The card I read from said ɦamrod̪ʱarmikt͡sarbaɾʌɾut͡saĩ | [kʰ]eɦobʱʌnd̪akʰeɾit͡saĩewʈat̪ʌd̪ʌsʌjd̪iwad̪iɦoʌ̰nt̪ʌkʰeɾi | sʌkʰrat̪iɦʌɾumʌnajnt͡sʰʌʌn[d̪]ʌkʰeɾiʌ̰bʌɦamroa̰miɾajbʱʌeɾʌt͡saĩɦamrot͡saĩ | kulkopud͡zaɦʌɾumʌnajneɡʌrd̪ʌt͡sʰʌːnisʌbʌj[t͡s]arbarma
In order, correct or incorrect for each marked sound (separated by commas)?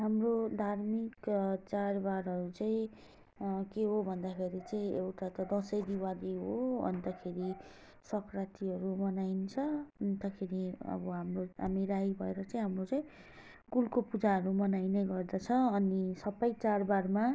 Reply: incorrect, incorrect, correct